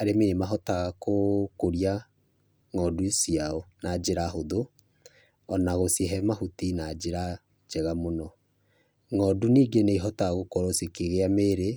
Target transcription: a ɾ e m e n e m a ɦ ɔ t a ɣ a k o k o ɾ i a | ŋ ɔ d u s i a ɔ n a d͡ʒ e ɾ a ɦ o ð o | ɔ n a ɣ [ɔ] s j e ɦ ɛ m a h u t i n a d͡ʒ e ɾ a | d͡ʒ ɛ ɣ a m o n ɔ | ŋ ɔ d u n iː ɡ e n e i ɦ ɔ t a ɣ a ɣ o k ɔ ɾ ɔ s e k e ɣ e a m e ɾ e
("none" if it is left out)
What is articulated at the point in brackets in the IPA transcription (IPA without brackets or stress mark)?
o